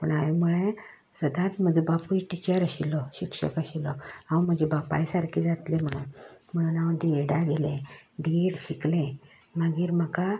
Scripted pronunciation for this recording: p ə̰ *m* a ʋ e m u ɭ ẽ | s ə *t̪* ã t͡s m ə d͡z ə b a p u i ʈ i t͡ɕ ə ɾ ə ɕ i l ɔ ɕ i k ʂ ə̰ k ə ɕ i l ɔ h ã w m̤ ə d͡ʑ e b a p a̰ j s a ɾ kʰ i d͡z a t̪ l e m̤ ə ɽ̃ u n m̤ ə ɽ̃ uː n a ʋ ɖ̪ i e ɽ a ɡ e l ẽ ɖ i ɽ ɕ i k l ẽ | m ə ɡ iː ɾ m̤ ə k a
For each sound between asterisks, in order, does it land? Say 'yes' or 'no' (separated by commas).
no, no